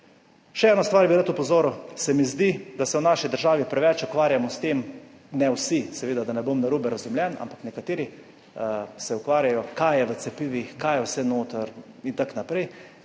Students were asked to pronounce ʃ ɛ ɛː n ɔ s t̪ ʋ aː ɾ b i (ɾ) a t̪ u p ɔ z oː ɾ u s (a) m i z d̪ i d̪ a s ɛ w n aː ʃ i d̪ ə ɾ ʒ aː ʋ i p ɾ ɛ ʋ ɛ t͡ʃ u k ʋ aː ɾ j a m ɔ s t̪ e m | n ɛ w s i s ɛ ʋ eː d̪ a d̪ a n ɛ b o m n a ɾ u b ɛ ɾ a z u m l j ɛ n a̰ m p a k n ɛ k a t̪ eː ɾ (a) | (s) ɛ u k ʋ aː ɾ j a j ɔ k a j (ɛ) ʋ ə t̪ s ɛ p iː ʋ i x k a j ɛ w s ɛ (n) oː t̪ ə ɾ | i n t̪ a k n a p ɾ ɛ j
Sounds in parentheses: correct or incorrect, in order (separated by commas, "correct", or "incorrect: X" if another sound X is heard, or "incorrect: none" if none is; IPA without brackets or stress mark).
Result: correct, incorrect: ɛ, incorrect: i, correct, correct, correct